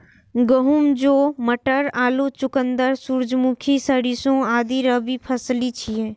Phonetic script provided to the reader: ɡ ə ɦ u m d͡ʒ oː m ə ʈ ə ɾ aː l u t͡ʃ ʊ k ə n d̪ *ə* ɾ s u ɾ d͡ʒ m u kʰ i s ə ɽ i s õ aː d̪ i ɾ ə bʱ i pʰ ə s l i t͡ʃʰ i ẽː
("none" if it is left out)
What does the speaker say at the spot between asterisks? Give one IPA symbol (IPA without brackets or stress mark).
ə